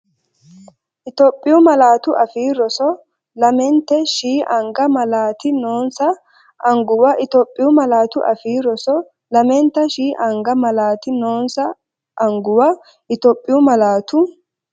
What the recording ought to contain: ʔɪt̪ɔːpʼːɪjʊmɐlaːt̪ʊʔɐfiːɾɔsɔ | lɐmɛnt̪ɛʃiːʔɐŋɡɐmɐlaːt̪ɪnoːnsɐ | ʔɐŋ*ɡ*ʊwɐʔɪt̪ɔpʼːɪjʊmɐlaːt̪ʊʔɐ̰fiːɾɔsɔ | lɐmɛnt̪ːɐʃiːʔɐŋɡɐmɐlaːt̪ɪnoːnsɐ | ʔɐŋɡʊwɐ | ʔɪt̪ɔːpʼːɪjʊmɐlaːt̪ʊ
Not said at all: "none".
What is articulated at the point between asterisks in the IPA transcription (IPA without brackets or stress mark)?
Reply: ɡ